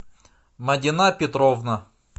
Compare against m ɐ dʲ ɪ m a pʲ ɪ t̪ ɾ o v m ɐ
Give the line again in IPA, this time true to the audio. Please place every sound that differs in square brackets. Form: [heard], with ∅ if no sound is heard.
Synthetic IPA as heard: m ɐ dʲ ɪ [n] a pʲ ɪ t̪ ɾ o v [n] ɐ